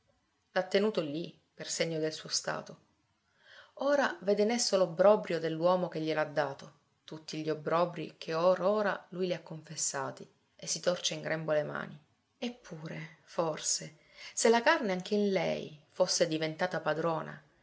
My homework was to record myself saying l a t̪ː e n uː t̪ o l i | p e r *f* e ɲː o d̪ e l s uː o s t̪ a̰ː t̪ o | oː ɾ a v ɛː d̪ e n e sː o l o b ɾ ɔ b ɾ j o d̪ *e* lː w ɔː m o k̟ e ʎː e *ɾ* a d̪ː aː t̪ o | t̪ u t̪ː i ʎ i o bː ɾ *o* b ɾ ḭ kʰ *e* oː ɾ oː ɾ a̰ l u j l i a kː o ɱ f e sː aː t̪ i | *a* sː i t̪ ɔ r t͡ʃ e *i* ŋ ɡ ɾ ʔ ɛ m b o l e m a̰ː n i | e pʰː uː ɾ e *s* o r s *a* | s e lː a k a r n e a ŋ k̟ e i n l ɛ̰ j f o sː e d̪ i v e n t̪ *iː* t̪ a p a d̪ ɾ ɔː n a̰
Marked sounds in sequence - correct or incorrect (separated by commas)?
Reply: incorrect, correct, incorrect, incorrect, correct, incorrect, correct, incorrect, incorrect, incorrect